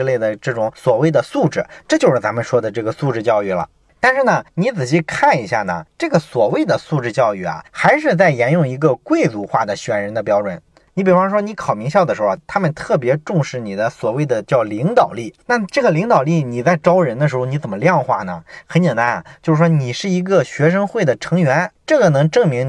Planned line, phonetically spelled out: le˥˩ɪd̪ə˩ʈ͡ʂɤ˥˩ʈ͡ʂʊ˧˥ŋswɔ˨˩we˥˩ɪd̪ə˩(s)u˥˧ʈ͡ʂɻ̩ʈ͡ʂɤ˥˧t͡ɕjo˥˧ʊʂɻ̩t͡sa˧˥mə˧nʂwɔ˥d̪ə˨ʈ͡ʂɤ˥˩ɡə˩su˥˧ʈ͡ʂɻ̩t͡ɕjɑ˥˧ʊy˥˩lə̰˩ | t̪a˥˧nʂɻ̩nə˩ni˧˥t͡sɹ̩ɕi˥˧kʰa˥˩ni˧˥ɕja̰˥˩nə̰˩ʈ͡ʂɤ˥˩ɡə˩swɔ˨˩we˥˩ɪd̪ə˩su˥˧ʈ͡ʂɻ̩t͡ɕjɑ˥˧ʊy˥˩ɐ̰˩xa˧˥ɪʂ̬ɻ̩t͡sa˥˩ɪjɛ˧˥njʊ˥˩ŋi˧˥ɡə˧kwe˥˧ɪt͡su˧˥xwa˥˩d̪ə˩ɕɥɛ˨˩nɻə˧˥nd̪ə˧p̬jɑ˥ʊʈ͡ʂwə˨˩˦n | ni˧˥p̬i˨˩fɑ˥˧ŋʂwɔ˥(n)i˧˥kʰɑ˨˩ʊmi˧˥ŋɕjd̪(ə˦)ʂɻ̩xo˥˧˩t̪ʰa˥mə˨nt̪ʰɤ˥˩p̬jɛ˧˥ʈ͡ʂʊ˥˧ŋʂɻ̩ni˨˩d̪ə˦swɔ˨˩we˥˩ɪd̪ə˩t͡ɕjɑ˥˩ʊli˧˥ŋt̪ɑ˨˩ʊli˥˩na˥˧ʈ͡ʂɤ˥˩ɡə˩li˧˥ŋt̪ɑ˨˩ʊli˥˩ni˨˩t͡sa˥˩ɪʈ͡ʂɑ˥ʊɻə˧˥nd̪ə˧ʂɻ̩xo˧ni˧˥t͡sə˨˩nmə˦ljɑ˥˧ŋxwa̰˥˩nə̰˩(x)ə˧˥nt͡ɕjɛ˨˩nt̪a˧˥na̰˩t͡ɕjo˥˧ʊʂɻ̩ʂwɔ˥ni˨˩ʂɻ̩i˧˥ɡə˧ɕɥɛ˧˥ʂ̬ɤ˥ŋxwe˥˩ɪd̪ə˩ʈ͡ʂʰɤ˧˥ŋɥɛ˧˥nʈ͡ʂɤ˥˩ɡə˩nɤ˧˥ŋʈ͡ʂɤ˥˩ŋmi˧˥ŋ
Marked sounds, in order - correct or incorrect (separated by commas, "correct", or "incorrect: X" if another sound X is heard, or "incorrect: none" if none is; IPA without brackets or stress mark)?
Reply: correct, correct, incorrect: ə˩, correct